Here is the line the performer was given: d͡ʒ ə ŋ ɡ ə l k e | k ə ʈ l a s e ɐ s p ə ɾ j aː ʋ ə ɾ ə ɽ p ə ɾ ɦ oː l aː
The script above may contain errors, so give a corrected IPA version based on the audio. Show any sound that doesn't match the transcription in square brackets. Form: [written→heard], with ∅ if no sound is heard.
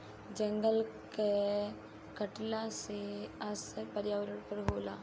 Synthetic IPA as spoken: d͡ʒ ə ŋ ɡ ə l k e | k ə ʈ l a s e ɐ s p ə ɾ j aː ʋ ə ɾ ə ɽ p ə ɾ ɦ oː l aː